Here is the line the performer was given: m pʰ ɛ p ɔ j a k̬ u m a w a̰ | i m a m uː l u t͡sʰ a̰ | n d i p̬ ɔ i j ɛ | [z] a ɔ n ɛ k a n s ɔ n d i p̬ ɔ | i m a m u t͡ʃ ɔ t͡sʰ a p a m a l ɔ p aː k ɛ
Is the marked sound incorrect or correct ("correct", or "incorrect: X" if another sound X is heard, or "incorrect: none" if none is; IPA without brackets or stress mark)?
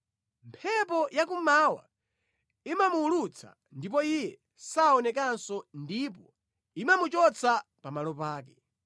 incorrect: s